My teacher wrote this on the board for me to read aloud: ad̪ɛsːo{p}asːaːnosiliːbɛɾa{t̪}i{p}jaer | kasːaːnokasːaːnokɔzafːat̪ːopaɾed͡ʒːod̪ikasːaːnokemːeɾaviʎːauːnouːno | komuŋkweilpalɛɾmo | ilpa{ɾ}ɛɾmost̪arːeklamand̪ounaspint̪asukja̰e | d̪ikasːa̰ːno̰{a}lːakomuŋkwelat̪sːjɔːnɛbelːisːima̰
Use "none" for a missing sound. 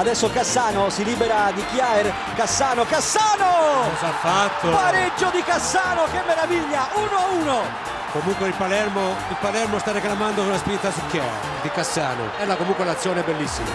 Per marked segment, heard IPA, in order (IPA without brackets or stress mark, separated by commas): k, d̪, k, l, ɛ